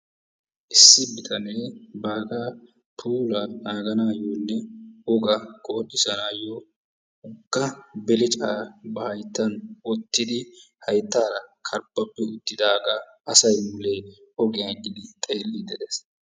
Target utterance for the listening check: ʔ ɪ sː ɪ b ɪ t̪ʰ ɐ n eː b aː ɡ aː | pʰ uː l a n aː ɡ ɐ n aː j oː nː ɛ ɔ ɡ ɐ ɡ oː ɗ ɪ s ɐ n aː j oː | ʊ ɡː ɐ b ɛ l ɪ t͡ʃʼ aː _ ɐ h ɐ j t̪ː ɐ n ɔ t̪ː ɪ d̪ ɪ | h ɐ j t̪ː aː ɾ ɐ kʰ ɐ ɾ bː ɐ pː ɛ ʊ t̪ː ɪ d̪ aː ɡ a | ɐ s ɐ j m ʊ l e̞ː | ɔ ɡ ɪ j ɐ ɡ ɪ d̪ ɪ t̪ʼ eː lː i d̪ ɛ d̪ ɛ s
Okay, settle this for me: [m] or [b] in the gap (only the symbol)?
b